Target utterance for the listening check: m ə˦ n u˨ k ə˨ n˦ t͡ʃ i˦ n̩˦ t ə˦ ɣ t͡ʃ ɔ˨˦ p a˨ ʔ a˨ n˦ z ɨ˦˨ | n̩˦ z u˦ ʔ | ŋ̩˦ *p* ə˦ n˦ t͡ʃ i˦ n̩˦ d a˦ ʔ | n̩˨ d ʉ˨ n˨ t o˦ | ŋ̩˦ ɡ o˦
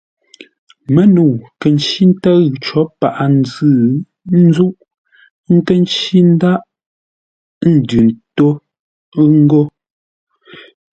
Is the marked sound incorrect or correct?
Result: incorrect